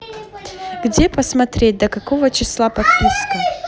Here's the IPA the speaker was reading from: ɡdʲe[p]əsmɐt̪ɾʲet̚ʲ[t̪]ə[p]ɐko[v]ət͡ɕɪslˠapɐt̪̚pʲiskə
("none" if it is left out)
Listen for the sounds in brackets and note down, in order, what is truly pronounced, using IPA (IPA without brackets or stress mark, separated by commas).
p, d̪, k, v